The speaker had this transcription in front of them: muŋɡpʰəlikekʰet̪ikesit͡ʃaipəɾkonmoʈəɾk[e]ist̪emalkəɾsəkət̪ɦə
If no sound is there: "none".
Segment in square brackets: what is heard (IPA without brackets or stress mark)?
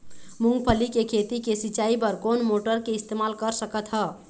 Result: e